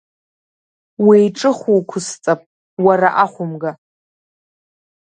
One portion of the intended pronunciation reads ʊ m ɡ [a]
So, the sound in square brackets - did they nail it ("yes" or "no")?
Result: yes